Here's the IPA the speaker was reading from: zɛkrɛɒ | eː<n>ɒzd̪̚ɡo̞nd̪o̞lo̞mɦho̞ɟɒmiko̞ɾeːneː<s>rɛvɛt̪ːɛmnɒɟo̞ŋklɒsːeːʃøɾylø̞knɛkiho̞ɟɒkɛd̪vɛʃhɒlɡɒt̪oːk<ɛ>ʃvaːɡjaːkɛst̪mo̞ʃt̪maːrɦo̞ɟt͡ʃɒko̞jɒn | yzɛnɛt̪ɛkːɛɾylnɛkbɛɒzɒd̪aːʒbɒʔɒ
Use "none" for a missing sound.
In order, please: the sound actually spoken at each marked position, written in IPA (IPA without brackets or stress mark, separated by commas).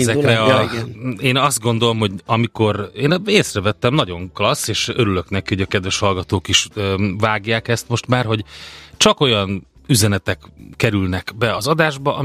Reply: n, s, i